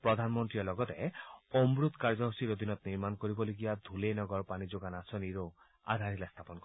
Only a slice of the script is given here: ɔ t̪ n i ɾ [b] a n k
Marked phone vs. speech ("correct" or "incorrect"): incorrect